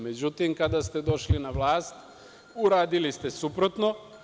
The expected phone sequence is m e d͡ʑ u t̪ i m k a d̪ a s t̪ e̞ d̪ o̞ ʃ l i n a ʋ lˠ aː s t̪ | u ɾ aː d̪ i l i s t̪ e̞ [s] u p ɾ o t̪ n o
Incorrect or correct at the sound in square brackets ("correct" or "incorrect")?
correct